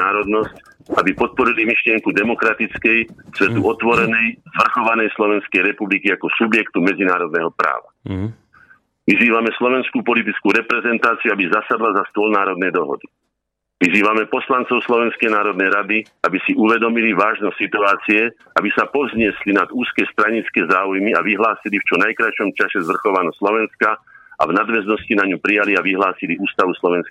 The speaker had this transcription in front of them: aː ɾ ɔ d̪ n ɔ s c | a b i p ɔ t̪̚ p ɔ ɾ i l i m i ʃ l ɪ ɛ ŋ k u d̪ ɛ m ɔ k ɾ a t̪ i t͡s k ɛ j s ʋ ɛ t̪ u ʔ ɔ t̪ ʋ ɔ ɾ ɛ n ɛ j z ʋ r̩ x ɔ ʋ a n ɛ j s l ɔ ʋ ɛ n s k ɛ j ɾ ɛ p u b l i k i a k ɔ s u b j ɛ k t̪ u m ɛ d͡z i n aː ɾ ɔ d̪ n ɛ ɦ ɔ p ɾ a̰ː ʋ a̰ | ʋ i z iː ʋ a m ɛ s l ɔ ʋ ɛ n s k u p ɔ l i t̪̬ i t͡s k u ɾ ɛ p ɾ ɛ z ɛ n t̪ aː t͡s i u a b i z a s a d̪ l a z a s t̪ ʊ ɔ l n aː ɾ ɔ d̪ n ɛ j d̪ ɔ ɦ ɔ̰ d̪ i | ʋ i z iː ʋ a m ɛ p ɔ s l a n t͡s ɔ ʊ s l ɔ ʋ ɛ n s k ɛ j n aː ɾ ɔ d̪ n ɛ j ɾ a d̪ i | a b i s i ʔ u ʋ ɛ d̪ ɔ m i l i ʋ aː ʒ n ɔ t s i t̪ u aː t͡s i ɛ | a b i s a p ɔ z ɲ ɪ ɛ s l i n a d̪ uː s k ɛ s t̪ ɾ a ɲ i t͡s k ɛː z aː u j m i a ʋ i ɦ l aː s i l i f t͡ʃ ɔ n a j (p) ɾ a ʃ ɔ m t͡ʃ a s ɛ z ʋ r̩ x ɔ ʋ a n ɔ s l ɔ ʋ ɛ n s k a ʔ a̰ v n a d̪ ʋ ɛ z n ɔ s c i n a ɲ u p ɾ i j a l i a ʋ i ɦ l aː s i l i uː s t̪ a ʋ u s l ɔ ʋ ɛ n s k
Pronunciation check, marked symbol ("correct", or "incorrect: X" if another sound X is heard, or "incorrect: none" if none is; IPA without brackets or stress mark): incorrect: k